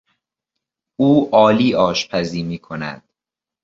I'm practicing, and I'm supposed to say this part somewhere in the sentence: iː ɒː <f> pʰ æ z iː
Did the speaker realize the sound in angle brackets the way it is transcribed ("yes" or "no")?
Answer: no